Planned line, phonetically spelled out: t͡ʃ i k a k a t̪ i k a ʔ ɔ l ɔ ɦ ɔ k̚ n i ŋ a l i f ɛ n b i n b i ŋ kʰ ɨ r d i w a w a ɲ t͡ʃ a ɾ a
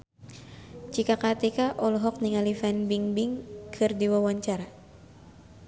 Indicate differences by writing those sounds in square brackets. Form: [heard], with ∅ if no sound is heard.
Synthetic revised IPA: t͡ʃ i k a k a t̪ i k a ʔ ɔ l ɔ ɦ ɔ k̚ n i ŋ a l i f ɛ n b i [ŋ] b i ŋ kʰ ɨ r d i w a w a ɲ t͡ʃ a ɾ a